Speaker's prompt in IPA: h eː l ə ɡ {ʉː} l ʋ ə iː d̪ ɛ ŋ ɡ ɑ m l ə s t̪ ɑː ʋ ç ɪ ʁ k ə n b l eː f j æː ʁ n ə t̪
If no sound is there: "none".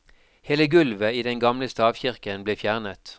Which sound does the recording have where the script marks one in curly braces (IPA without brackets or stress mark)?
ʉ